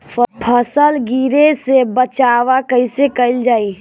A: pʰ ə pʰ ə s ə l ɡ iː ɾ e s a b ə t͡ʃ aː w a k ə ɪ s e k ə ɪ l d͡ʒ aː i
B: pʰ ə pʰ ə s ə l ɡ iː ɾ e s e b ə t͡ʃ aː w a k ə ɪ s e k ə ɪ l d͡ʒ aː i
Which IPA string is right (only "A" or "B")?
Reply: B